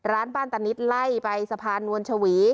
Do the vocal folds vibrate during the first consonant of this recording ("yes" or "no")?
yes